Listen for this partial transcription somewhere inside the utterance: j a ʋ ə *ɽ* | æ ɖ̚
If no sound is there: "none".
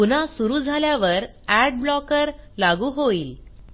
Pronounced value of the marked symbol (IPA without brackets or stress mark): ɾ